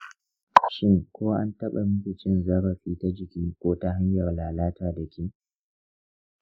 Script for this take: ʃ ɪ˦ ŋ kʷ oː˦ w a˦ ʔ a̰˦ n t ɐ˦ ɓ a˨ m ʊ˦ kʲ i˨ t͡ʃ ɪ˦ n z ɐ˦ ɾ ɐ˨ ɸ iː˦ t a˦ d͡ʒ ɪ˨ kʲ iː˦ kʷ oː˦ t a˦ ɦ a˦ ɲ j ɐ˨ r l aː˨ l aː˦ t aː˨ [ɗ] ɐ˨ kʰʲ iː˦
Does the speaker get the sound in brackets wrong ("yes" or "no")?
yes